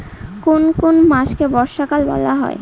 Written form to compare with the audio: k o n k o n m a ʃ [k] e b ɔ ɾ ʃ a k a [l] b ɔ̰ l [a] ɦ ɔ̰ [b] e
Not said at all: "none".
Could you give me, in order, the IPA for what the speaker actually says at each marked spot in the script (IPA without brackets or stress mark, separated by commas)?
k, l, a, none